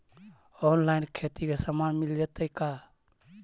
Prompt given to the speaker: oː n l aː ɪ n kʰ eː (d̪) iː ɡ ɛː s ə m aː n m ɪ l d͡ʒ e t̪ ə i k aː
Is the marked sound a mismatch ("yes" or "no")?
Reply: yes